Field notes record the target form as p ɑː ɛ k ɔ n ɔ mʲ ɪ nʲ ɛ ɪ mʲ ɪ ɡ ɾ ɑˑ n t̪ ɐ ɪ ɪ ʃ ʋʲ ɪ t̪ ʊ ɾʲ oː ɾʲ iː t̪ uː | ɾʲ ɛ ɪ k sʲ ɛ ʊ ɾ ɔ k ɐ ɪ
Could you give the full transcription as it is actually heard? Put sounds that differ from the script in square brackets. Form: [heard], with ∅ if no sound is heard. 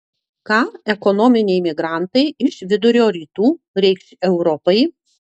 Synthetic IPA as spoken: [k] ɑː ɛ k ɔ n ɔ mʲ ɪ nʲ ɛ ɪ mʲ ɪ ɡ ɾ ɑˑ n t̪ ɐ ɪ ɪ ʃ ʋʲ ɪ [d̪] ʊ ɾʲ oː ɾʲ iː t̪ uː | ɾʲ ɛ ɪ k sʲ ɛ ʊ ɾ ɔ [p] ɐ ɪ